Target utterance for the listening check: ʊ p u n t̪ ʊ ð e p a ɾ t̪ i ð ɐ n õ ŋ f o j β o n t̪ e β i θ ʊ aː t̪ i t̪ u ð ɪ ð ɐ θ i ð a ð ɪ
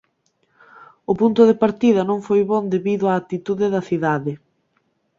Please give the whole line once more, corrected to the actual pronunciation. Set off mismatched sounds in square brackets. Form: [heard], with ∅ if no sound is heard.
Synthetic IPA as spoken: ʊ p u n t̪ ʊ ð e p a ɾ t̪ i ð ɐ n õ ŋ f o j β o n [d̪] e β i [ð] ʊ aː t̪ i t̪ u ð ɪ ð ɐ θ i ð a ð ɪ